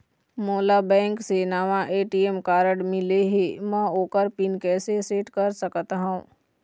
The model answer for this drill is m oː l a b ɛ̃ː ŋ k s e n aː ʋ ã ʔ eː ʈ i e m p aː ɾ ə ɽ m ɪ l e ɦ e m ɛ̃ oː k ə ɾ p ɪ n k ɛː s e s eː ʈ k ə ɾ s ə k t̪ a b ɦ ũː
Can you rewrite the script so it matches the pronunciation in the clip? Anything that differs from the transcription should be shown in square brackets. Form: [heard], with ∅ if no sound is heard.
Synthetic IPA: m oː l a b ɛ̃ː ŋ k s e n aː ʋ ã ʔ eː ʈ i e m [k] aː ɾ ə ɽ m ɪ l e ɦ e m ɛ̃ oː k ə ɾ p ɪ n k ɛː s e s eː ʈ k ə ɾ s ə k t̪ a [∅] ɦ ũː

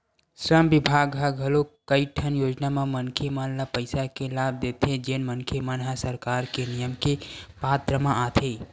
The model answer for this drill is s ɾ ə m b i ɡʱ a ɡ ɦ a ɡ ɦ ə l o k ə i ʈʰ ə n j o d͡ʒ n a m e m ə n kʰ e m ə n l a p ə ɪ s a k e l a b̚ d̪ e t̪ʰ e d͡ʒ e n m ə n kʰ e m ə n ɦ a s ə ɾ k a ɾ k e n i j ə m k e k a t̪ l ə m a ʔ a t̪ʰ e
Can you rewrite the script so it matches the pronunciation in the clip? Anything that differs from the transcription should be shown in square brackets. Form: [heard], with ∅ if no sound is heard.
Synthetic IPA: s ɾ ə m b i [bʱ] a ɡ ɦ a ɡ ɦ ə l o k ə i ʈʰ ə n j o d͡ʒ n a m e m ə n kʰ e m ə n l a p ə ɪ s a k e l a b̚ d̪ e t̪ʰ e d͡ʒ e n m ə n kʰ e m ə n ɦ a s ə ɾ k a ɾ k e n i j ə m k e [p] a t̪ [ɾ] ə m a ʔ a t̪ʰ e

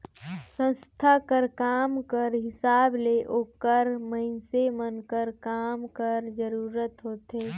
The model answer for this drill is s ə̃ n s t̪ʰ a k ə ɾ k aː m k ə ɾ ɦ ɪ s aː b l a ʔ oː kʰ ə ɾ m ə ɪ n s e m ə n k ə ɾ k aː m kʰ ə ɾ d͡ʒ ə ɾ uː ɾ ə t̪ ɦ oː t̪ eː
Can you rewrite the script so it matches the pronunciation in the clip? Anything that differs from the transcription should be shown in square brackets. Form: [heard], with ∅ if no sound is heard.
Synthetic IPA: s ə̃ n s t̪ʰ a k ə ɾ k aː m k ə ɾ ɦ ɪ s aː b l [e] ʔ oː [k] ə ɾ m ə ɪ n s e m ə n k ə ɾ k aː m [k] ə ɾ d͡ʒ ə ɾ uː ɾ ə t̪ ɦ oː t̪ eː

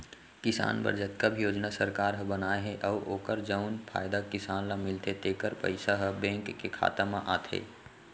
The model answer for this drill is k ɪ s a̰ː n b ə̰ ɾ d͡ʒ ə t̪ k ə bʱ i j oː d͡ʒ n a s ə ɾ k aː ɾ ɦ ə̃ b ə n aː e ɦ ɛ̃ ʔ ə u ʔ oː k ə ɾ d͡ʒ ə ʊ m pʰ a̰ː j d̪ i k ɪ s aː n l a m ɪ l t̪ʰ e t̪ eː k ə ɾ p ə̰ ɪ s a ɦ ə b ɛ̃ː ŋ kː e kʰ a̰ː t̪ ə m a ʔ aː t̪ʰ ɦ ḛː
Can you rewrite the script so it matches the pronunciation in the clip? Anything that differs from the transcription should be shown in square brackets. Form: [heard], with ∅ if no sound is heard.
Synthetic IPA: k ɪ s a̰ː n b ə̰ ɾ d͡ʒ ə t̪ k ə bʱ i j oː d͡ʒ n a s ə ɾ k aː ɾ ɦ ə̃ b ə n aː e ɦ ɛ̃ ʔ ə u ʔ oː k ə ɾ d͡ʒ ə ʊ [n] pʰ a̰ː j d̪ [a] k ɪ s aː n l a m ɪ l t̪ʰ e t̪ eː k ə ɾ p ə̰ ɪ s a ɦ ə b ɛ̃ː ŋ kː e kʰ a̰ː t̪ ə m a ʔ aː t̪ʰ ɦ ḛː

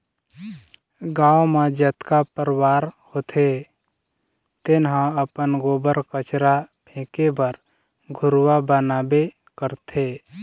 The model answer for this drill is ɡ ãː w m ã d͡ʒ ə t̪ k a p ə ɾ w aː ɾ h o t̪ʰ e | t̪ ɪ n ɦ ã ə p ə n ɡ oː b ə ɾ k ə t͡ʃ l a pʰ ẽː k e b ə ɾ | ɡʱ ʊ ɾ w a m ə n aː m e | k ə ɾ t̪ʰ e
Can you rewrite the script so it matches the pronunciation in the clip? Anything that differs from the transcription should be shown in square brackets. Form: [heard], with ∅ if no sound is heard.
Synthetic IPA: ɡ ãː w m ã d͡ʒ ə t̪ k a p ə ɾ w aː ɾ h o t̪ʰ e | t̪ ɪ n ɦ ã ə p ə n ɡ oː b ə ɾ k ə t͡ʃ [ɾ] a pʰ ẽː k e b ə ɾ | ɡʱ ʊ ɾ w a [b] ə n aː [b] e | k ə ɾ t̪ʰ e

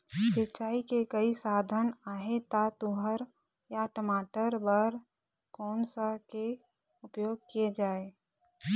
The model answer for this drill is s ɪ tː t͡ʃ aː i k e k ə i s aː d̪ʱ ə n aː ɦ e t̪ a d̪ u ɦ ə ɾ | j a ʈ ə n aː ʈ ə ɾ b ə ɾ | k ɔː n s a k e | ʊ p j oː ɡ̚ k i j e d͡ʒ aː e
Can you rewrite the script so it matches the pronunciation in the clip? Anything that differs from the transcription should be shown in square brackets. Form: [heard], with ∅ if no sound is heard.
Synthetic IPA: s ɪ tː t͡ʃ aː i k e k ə i s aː d̪ʱ ə n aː ɦ e t̪ a [t̪] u ɦ ə ɾ | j a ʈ ə [m] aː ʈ ə ɾ b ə ɾ | k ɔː n s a k e | ʊ p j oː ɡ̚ k i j e d͡ʒ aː e

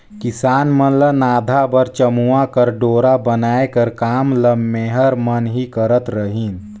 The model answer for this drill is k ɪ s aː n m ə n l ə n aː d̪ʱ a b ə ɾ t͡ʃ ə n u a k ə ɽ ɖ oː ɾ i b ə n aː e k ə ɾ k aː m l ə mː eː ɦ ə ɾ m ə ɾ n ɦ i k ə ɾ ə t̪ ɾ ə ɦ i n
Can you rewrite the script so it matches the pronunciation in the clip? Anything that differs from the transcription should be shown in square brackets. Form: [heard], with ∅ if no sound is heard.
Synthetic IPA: k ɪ s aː n m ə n l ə n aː d̪ʱ a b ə ɾ t͡ʃ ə [m] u a k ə [ɾ] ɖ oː ɾ [a] b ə n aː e k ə ɾ k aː m l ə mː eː ɦ ə ɾ m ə [∅] n ɦ i k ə ɾ ə t̪ ɾ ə ɦ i n

